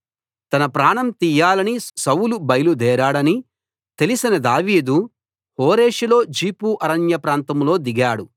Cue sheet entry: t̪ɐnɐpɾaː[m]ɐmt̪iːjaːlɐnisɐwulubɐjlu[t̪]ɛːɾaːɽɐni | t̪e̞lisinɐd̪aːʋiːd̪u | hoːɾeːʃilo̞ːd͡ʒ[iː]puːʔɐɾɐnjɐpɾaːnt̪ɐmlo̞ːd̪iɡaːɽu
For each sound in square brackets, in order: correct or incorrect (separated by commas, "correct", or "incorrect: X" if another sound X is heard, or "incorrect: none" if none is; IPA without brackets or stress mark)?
incorrect: ɳ, incorrect: d̪, correct